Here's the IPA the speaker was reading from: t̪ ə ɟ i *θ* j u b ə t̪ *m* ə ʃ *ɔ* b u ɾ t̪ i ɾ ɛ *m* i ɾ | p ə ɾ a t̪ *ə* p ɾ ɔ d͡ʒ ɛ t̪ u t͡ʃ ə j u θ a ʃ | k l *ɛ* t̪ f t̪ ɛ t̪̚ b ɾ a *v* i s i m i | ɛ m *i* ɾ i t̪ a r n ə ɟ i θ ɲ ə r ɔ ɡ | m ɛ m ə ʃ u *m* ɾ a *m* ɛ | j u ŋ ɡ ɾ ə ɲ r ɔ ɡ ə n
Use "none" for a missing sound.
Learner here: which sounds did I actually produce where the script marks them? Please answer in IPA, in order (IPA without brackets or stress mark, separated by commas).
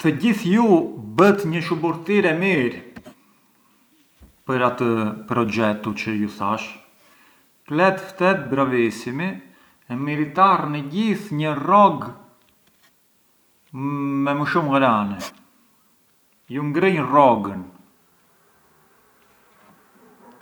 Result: θ, ɲ, u, m, ə, ɛ, v, i, m, n